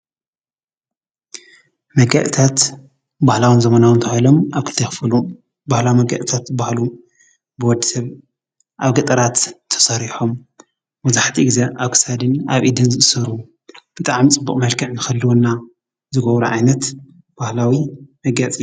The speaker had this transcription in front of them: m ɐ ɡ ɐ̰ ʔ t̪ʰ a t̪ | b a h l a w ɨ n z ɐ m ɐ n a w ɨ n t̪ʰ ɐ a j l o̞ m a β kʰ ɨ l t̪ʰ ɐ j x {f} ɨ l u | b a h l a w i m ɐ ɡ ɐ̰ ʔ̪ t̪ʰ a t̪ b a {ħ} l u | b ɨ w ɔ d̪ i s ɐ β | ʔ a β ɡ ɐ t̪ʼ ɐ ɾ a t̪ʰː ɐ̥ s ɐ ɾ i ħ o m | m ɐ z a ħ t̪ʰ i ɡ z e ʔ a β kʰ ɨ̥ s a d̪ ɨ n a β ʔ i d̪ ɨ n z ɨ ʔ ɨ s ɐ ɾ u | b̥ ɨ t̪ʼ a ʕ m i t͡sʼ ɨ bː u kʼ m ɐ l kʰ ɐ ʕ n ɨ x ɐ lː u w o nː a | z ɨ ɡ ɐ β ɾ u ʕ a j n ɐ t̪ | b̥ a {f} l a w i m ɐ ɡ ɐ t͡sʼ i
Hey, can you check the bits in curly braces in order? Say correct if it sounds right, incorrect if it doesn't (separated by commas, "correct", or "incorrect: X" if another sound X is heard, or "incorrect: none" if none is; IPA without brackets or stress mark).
correct, incorrect: h, incorrect: h